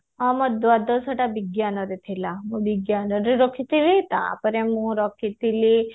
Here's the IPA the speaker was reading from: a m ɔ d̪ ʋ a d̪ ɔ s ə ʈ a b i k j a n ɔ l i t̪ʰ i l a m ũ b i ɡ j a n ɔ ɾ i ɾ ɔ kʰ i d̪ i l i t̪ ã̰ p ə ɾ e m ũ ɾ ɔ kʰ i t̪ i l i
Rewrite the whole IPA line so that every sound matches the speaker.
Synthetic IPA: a m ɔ d̪ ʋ a d̪ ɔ s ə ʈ a b i ɡ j a n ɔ ɾ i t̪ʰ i l a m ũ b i ɡ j a n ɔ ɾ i ɾ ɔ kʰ i t̪ i l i t̪ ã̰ p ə ɾ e m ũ ɾ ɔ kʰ i t̪ i l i